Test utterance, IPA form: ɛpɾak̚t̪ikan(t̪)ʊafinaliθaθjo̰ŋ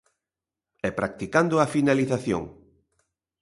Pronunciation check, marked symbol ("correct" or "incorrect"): incorrect